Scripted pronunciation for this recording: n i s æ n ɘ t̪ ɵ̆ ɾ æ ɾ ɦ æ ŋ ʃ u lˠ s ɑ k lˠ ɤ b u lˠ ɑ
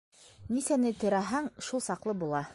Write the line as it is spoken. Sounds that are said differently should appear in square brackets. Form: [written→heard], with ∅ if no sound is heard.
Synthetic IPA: n i s æ n ɘ t̪ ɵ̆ ɾ æ [ɾ→∅] ɦ æ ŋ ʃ u lˠ s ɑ [k→q] lˠ ɤ b u lˠ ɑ